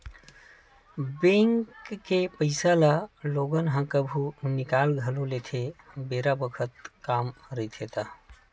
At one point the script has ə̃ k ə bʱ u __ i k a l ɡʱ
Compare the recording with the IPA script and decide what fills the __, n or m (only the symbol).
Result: n